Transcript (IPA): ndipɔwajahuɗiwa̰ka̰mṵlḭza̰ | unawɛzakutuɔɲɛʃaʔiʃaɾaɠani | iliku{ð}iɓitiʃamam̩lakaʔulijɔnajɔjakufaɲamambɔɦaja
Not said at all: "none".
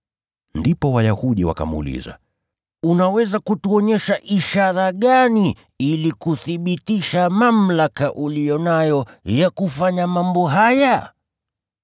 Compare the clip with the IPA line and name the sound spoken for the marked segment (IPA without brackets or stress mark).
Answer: θ